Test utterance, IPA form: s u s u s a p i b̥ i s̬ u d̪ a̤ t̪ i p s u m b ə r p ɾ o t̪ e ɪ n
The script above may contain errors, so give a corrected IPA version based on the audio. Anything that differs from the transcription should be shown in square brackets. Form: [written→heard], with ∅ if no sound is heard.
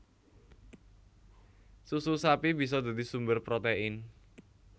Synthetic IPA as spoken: s u s u s a p i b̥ i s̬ [u→ɔ] d̪ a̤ [t̪→d̪] i [p→∅] s u m b ə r p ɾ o t̪ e ɪ n